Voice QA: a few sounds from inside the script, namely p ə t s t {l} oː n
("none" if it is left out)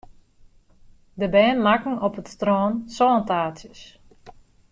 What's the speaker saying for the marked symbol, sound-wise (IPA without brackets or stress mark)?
r